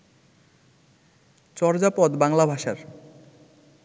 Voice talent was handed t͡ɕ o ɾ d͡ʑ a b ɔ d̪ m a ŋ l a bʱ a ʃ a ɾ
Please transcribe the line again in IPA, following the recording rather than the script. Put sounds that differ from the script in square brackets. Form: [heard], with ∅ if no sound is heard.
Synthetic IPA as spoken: t͡ɕ [ɔ] ɾ d͡ʑ a [p] ɔ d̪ [b] a ŋ l a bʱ a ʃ a ɾ